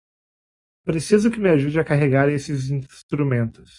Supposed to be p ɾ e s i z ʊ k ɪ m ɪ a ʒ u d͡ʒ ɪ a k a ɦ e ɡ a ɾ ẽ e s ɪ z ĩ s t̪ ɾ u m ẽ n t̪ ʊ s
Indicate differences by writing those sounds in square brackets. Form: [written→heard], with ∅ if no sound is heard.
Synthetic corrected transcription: p ɾ e s i z ʊ k ɪ m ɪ a ʒ u d͡ʒ ɪ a k a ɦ e ɡ a ɾ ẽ e s ɪ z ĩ s t̪ ɾ u m ẽ n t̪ ʊ s

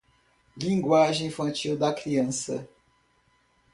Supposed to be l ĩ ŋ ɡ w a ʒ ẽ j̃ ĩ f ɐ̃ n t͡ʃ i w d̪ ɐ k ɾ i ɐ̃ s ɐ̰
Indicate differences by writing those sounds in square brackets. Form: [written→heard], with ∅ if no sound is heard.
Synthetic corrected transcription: l ĩ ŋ ɡ w a ʒ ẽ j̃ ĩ f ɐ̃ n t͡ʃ i w d̪ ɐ k ɾ i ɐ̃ s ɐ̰

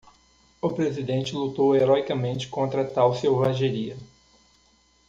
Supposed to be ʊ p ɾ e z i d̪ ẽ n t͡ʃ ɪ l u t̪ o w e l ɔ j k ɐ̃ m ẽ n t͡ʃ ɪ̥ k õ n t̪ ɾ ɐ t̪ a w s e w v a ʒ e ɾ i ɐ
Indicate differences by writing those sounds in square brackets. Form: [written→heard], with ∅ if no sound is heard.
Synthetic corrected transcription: ʊ p ɾ e z i d̪ ẽ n t͡ʃ ɪ l u t̪ o w e [l→ɾ] ɔ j k [ɐ̃→ɐ] m ẽ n t͡ʃ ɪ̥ k õ n t̪ ɾ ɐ t̪ a w s e w v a ʒ e ɾ i ɐ

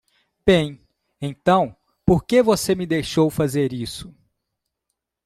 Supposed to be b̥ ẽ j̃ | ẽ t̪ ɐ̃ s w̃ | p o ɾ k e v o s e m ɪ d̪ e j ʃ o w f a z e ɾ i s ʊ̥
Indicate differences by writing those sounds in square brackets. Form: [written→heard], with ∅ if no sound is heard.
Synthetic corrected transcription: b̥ ẽ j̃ | ẽ t̪ ɐ̃ [s→∅] w̃ | p o ɾ k e v o s e m ɪ d̪ e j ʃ o w f a z e ɾ i s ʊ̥

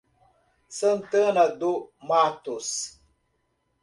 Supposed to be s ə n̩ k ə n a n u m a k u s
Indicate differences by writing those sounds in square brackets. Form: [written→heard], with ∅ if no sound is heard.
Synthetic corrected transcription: s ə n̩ [k→t] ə n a [n→d] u m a [k→t] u s

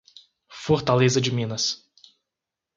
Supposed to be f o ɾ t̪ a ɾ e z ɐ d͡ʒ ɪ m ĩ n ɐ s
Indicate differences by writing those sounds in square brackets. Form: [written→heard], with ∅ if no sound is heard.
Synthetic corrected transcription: f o ɾ t̪ a [ɾ→l] e z ɐ d͡ʒ ɪ m ĩ n ɐ s

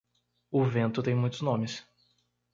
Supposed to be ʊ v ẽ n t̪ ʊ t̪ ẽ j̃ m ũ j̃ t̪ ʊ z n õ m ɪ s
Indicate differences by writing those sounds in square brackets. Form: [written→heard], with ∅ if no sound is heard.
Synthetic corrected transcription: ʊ v ẽ n t̪ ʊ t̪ ẽ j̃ m ũ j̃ t̪ ʊ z n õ m ɪ s

